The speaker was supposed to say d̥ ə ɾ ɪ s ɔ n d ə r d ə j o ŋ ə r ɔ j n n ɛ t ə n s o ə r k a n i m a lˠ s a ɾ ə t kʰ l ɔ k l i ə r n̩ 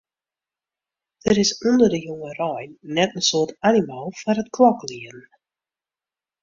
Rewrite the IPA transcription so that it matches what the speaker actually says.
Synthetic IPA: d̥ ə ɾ ɪ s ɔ n d ə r d ə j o ŋ ə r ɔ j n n ɛ t ə n s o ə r t a n i m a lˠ f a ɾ ə t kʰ l ɔ k l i ə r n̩